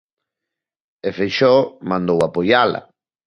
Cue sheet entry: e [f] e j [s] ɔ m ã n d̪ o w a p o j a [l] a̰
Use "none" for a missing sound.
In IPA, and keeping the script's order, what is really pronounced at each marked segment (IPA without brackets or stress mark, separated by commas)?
f, ʃ, l